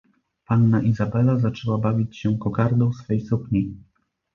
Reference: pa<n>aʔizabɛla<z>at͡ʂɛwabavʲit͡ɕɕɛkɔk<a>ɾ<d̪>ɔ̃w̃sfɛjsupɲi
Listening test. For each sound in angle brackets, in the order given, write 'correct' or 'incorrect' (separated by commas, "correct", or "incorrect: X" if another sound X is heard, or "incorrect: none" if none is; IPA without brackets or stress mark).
incorrect: nː, correct, correct, correct